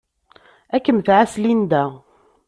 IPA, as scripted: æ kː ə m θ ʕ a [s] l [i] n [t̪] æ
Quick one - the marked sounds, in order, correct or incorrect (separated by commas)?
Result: correct, correct, incorrect